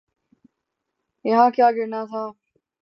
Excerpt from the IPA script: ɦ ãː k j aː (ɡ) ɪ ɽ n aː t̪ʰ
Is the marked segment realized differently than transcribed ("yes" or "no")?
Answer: no